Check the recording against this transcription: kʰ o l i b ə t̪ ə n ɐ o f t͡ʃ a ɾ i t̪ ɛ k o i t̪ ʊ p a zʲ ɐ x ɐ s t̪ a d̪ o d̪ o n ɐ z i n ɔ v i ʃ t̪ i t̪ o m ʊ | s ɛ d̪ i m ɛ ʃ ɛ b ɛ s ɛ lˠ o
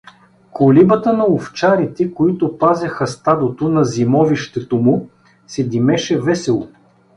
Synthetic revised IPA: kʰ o l i b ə t̪ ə n ɐ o f t͡ʃ a ɾ i t̪ ɛ k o i t̪ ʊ p a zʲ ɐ x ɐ s t̪ a d̪ o t̪ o n ɐ z i m ɔ v i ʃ t̪ ɛ t̪ o m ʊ | s ɛ d̪ i m ɛ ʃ ɛ v ɛ s ɛ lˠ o